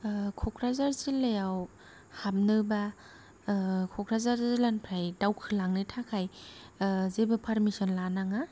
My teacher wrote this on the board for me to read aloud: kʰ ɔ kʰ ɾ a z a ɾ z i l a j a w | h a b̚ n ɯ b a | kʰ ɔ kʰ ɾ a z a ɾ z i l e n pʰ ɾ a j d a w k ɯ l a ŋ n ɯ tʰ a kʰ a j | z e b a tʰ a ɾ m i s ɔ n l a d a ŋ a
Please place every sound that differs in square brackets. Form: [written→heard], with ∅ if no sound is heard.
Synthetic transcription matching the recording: kʰ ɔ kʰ ɾ a z a ɾ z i l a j a w | h a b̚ n ɯ b a | kʰ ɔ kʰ ɾ a z a ɾ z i l [e→a] n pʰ ɾ a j d a w [k→kʰ] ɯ l a ŋ n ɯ tʰ a kʰ a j | z e b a [tʰ→pʰ] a ɾ m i s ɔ n l a [d→n] a ŋ a